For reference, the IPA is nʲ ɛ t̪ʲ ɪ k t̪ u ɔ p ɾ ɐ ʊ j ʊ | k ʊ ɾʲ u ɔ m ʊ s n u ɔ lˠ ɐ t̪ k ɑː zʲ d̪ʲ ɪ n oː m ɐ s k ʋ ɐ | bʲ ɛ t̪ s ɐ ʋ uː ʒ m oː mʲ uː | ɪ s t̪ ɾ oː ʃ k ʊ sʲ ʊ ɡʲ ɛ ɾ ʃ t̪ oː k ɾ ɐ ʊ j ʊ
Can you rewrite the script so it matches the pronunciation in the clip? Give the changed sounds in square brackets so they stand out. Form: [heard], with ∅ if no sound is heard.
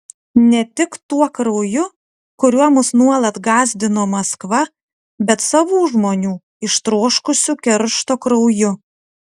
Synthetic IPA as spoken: nʲ ɛ t̪ʲ ɪ k t̪ u ɔ [k] ɾ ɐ ʊ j ʊ | k ʊ ɾʲ u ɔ m ʊ s n u ɔ lˠ ɐ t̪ [ɡ] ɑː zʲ d̪ʲ ɪ n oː m ɐ s k ʋ ɐ | bʲ ɛ t̪ s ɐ ʋ uː ʒ m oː [nʲ] uː | ɪ [ʃ] t̪ ɾ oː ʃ k ʊ sʲ ʊ [kʲ] ɛ ɾ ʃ t̪ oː k ɾ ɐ ʊ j ʊ